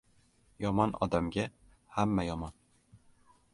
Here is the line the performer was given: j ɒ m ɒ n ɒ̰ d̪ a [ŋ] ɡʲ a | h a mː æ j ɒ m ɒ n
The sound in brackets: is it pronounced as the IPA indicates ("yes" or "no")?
no